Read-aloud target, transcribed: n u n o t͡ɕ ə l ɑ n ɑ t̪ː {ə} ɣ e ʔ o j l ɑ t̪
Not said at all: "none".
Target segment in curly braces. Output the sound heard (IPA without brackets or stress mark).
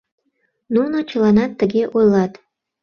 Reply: ə